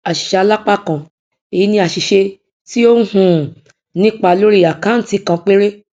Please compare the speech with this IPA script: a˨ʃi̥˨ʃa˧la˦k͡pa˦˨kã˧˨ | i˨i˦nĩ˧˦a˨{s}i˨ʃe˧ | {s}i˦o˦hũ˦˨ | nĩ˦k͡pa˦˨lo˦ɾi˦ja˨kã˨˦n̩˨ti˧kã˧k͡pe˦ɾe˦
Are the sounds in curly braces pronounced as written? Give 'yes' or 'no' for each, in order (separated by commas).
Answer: no, no